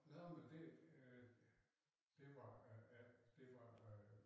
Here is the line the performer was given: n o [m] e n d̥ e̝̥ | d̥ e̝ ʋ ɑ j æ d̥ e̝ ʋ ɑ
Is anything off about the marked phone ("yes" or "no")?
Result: no